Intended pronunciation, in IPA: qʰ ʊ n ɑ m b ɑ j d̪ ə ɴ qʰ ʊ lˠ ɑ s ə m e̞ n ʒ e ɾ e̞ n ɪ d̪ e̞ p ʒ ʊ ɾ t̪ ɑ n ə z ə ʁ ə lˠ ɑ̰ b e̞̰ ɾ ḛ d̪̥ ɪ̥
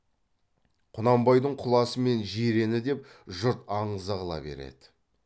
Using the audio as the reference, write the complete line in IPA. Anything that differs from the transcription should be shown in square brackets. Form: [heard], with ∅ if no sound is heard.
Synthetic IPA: qʰ ʊ n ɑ m b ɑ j d̪ ə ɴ qʰ ʊ lˠ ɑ s ə m e̞ n ʒ e ɾ e̞ n ɪ d̪ e̞ p ʒ ʊ ɾ t̪ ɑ [ɴ] ə z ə ʁ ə lˠ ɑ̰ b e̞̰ ɾ ḛ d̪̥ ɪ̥